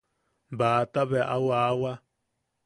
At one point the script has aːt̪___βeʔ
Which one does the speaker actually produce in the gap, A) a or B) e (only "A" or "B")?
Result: A